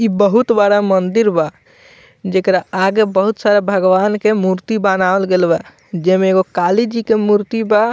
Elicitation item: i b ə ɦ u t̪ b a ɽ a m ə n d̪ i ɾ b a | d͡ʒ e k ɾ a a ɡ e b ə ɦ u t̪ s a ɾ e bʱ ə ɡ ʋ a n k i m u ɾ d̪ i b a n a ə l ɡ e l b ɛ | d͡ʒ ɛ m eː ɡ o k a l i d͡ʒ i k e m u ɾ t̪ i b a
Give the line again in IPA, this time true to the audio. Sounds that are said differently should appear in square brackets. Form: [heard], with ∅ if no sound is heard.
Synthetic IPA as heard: i b ə ɦ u t̪ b a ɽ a m ə n d̪ i ɾ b a | d͡ʒ e k ɾ a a ɡ e b ə ɦ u t̪ s a ɾ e bʱ ə ɡ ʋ a n k [e] m u ɾ [t̪] i b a n a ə l ɡ e l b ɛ | d͡ʒ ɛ m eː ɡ o k a l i d͡ʒ i k e m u ɾ t̪ i b a